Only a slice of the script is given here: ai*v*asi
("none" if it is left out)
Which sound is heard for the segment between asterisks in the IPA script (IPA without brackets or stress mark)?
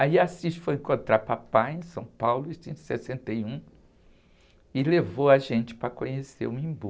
none